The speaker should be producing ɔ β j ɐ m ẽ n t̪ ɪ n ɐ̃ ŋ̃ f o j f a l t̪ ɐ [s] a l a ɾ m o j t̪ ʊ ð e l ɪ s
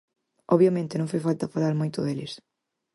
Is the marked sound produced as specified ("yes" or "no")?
no